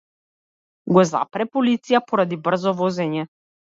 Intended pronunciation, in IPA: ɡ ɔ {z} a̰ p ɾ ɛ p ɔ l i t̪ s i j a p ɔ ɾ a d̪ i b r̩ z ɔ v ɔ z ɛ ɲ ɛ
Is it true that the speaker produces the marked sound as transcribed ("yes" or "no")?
yes